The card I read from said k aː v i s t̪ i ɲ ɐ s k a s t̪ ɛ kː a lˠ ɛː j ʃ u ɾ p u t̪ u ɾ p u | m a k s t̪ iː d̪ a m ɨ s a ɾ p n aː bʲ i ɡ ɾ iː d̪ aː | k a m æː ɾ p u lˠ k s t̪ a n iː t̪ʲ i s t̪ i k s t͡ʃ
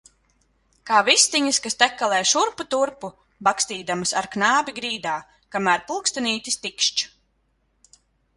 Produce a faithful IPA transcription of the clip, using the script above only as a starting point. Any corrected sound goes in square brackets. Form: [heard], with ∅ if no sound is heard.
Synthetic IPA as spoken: k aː v i s t̪ i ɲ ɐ s k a s t̪ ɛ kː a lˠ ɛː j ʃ u ɾ p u t̪ u ɾ p u | [b] a k s t̪ iː d̪ a m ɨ s a ɾ [k] n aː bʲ i ɡ ɾ iː d̪ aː | k a m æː ɾ p u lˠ k s t̪ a n iː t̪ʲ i s t̪ i k [ʃ] t͡ʃ